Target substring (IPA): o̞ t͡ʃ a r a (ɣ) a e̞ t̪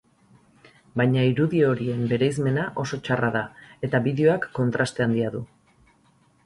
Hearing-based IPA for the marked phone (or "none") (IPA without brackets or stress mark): ð